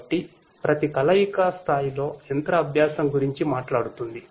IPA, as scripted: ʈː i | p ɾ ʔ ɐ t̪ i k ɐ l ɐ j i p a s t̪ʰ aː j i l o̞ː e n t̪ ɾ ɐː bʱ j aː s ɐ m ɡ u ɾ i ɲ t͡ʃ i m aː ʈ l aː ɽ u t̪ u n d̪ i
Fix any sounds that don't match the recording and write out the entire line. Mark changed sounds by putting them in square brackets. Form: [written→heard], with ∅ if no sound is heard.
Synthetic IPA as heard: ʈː i | p ɾ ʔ ɐ t̪ i k ɐ l ɐ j i [p→k] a s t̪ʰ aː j i l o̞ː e n t̪ ɾ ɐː bʱ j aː s ɐ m ɡ u ɾ i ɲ t͡ʃ i m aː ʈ l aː ɽ u t̪ u n d̪ i